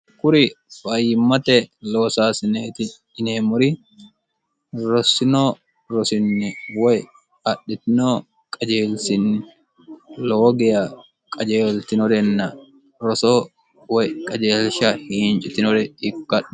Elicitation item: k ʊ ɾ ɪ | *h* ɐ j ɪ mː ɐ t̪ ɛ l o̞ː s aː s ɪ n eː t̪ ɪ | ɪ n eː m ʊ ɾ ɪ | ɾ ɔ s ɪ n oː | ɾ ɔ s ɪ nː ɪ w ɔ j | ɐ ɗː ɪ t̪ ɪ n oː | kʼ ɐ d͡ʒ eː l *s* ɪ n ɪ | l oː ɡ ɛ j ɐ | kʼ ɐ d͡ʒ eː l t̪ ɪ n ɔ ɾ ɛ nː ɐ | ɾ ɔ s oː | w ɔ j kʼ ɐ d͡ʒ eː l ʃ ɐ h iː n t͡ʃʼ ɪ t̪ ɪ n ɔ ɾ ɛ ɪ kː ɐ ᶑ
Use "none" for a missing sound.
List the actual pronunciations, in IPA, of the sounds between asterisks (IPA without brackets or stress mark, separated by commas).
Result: f, s